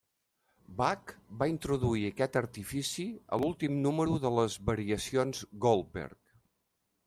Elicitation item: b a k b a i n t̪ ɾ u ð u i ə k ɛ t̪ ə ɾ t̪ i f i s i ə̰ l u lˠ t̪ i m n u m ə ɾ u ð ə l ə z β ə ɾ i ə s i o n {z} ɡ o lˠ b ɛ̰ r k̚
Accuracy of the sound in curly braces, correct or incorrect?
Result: correct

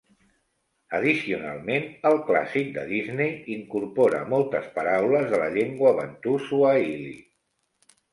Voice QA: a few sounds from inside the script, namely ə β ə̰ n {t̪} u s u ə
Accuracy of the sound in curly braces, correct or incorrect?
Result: correct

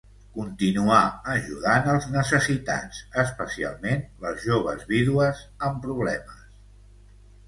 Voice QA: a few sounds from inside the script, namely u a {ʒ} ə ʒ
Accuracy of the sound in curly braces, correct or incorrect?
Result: incorrect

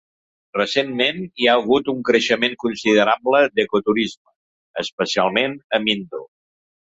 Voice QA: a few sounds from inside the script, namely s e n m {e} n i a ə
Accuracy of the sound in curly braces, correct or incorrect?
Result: correct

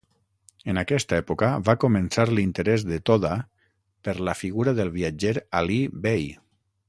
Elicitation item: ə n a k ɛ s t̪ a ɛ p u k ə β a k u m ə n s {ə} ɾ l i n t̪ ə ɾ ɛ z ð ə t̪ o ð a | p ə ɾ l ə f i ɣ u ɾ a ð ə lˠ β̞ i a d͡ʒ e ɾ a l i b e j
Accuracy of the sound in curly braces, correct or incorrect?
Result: incorrect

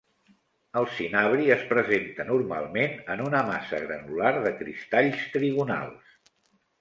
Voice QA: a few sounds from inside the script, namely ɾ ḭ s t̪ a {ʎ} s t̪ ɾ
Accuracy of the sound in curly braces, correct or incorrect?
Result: correct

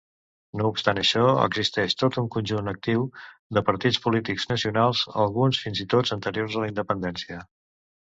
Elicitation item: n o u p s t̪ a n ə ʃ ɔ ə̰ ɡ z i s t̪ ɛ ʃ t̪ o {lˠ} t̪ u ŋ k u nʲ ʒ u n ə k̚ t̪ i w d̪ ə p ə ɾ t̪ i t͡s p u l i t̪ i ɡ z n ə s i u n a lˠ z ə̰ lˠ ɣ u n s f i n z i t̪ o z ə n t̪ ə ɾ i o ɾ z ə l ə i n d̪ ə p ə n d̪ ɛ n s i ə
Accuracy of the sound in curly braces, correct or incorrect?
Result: incorrect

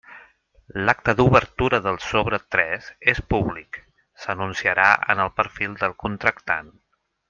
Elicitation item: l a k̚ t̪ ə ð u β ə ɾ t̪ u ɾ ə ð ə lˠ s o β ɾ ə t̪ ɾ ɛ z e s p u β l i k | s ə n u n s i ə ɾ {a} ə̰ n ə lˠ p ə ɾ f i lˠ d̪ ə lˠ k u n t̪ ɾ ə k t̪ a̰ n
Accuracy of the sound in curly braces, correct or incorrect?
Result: correct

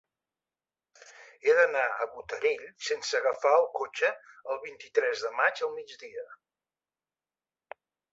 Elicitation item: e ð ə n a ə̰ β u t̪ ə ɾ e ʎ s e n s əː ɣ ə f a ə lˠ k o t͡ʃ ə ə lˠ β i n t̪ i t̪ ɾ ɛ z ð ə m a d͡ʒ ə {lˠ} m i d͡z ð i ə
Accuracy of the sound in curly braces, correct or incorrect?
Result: correct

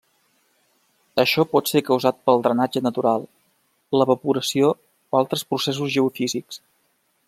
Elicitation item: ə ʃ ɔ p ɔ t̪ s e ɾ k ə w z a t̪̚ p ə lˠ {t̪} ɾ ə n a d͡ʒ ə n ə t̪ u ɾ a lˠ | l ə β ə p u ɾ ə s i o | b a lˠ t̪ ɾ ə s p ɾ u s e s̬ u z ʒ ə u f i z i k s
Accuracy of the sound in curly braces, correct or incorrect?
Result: incorrect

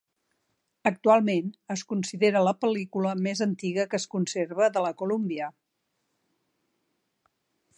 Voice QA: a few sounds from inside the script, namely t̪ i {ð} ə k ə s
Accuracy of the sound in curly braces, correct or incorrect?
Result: incorrect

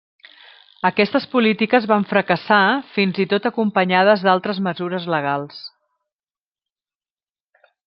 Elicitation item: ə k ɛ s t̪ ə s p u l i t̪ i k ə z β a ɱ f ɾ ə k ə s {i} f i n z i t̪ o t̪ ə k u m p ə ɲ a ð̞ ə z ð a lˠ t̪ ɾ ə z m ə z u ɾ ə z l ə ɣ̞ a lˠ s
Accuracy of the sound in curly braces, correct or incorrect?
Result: incorrect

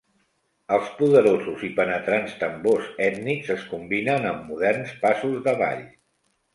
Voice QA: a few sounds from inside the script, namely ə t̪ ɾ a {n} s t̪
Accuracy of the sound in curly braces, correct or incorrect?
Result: correct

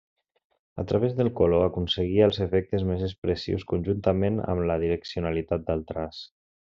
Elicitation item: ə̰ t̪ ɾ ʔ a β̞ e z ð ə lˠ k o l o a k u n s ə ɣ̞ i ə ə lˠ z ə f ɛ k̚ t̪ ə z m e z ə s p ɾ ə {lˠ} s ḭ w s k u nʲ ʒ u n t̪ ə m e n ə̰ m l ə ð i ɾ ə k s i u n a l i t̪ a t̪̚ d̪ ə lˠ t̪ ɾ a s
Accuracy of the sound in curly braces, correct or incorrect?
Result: incorrect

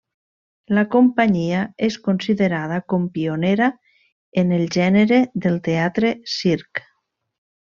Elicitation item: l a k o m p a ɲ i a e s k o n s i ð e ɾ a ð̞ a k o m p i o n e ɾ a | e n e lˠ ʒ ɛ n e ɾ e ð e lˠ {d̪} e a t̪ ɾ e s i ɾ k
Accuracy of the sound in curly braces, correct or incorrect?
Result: incorrect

